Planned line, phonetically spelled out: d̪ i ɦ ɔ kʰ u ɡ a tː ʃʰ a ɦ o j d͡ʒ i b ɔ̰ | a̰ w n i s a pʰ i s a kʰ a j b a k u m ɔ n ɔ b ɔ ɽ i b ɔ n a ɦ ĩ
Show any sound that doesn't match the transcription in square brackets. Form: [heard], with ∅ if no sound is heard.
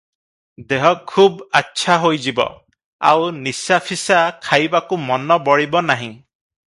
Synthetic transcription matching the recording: d̪ [e] ɦ ɔ kʰ u [b] a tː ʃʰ a ɦ o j d͡ʒ i b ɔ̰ | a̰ w n i s a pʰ i s a kʰ a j b a k u m ɔ n ɔ b ɔ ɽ i b ɔ n a ɦ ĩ